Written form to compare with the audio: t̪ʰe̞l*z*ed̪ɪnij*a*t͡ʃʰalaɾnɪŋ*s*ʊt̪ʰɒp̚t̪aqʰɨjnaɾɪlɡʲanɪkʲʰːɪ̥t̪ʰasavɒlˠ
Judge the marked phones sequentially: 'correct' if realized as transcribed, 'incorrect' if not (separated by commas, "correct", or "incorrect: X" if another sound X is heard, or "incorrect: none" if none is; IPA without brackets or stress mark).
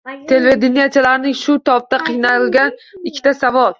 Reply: incorrect: v, correct, incorrect: ʃ